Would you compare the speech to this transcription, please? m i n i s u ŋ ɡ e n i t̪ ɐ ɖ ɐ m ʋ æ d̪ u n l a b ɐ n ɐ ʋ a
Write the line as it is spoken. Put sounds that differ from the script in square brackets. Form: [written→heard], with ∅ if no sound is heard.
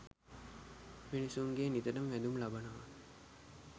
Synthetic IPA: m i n i s u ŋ ɡ e n i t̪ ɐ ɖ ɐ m ʋ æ d̪ u [n→m] l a b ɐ n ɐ ʋ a